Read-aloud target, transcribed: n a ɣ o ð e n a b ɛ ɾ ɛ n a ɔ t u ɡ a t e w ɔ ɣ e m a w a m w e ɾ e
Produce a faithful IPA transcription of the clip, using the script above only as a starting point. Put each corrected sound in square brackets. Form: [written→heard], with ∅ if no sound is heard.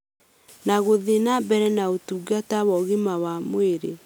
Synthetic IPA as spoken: n a ɣ o ð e n a b ɛ ɾ ɛ n a [ɔ→o] t u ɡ a t [e→a] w ɔ ɣ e m a w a m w e ɾ e

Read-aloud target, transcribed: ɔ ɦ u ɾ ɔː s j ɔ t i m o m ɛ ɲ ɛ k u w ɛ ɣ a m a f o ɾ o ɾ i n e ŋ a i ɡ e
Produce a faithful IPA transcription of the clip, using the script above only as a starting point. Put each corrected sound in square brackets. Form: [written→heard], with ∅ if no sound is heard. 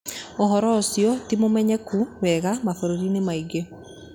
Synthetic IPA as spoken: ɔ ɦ [u→ɔ] ɾ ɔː s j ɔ t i m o m ɛ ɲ ɛ k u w ɛ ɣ a m a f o ɾ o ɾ i n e [ŋ→m] a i ɡ e

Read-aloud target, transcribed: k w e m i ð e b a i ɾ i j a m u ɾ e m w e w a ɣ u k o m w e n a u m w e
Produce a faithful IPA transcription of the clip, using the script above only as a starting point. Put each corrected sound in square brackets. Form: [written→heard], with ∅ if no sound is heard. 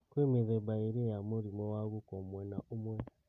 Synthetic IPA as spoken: k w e m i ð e b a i ɾ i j a m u ɾ [e→i] m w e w a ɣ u k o m w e n a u m w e

